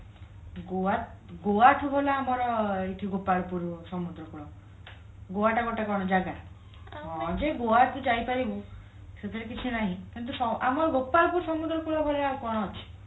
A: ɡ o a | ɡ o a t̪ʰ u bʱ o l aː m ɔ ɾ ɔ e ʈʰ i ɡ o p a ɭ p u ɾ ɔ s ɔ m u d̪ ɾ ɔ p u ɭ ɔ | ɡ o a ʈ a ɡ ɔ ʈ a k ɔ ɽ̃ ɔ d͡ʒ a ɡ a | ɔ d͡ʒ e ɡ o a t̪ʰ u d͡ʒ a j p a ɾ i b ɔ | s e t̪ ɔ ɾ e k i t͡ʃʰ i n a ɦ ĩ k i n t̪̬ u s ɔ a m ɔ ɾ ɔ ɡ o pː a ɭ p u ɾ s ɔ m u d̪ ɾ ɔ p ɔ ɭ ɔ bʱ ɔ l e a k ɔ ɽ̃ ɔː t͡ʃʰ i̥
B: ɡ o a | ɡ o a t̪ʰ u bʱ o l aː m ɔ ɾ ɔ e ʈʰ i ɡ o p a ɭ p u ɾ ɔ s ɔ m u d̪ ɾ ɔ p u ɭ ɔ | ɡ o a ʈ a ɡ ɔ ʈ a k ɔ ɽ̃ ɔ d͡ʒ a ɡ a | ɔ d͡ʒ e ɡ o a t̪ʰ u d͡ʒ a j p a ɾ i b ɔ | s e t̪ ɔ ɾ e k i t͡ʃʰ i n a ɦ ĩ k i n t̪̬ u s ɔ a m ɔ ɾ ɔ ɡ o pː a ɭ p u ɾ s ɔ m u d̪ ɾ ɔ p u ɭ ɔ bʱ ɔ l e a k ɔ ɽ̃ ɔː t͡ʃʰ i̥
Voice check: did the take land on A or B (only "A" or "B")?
B